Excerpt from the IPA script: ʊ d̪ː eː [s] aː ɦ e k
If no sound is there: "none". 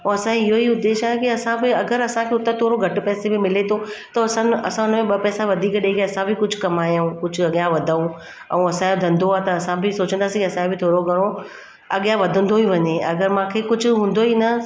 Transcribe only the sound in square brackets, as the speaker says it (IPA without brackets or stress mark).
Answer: ʃ